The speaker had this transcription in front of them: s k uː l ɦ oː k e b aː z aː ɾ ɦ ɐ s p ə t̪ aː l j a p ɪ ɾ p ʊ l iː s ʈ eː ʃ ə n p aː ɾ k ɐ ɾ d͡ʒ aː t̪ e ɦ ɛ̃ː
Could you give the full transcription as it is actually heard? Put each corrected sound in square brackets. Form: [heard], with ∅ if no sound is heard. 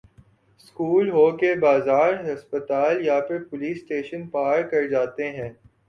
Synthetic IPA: s k uː l ɦ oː k e b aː z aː ɾ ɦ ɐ s p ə t̪ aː l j a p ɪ ɾ p ʊ l iː s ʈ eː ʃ ə n p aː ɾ k ɐ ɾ d͡ʒ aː t̪ e ɦ ɛ̃ː